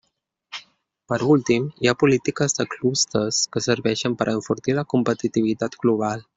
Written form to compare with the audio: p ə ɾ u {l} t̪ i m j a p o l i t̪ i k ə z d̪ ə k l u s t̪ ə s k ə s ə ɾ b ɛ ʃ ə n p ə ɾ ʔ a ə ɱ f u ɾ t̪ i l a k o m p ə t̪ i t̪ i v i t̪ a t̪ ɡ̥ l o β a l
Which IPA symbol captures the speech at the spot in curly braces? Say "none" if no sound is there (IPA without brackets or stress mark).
l